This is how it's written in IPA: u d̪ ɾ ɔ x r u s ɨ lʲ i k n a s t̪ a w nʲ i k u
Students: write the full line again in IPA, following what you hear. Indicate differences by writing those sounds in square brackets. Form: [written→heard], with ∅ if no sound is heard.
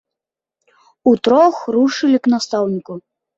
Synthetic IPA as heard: u [d̪→t̪] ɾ ɔ x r u [s→ʂ] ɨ lʲ i k n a s t̪ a w nʲ i k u